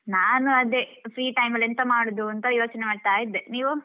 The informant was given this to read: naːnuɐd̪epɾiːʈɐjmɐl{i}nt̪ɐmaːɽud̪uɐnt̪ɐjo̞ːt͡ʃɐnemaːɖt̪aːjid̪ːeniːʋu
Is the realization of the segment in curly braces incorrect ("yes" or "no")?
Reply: yes